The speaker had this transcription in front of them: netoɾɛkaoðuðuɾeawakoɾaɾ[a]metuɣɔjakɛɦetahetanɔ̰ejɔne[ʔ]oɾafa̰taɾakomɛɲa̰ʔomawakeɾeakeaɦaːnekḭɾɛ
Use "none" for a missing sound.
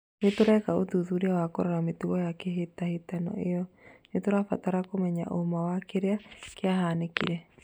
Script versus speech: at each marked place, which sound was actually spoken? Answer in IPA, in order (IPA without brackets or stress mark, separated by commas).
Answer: a, t